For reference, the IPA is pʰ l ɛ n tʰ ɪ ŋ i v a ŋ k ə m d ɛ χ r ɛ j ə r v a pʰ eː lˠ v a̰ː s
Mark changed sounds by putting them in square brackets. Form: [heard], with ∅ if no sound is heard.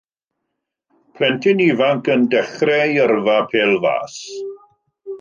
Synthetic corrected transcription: pʰ l ɛ n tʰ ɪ [n] i v a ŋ k ə [n] d ɛ χ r ɛ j ə r v a pʰ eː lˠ v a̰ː s

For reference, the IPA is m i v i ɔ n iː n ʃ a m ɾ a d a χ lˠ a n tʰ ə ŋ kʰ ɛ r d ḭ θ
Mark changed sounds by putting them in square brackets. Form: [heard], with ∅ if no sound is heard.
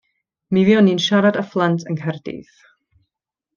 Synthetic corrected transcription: m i v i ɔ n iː n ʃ a [∅] ɾ a d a [f] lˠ a n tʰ ə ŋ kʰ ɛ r d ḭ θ

